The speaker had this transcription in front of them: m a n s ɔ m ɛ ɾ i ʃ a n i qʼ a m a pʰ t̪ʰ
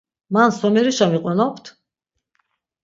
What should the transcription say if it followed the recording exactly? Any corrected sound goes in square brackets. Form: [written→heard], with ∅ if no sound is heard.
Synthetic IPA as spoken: m a n s ɔ m ɛ ɾ i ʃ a [n→m] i qʼ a [m→n] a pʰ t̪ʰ